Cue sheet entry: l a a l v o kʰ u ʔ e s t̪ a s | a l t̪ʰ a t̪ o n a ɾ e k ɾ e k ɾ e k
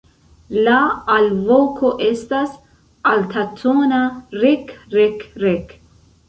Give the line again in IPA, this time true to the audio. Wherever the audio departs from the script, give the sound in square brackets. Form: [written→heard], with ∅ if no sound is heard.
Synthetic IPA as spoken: l a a l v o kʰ [u→o] ʔ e s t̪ a s | a l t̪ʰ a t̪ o n a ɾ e k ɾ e k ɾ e k